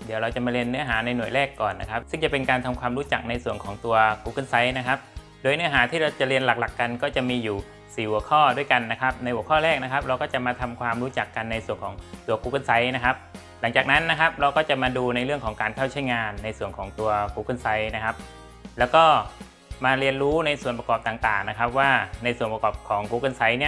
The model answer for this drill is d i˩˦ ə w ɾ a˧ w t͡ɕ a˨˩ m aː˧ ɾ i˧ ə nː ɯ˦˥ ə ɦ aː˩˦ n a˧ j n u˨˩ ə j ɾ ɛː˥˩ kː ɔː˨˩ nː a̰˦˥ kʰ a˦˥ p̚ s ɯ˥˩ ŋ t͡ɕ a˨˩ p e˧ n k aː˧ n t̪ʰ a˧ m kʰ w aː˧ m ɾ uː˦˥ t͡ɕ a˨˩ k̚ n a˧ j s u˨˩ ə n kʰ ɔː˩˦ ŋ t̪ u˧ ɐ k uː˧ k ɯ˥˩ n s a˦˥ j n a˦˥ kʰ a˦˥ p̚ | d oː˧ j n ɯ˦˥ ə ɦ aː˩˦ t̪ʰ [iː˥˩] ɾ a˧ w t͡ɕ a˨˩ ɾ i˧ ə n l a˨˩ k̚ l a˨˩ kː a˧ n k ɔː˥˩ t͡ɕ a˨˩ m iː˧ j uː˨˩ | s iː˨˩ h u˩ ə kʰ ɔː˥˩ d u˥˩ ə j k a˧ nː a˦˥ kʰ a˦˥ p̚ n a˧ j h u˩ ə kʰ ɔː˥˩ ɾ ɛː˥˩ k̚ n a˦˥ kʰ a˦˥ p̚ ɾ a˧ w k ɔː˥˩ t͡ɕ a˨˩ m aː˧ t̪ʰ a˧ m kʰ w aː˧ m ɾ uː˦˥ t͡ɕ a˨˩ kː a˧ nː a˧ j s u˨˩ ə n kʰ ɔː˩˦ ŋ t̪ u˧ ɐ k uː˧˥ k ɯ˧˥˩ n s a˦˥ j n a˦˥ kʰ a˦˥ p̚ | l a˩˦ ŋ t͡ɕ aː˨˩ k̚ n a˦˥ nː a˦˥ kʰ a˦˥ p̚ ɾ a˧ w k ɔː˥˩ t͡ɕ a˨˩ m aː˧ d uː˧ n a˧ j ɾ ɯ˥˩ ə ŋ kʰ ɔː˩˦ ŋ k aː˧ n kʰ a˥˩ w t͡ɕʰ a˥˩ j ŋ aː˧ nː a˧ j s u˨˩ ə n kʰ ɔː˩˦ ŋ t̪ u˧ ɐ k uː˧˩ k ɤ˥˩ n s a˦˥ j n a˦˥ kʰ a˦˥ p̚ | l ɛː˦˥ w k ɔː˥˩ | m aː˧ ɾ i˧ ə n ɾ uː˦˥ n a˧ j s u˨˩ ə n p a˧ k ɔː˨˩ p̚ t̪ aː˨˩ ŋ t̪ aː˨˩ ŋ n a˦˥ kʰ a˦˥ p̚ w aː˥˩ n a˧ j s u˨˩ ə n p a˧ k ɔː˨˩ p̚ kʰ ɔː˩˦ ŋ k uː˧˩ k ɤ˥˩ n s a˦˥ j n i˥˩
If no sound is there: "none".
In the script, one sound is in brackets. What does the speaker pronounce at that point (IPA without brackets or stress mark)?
iː˥˩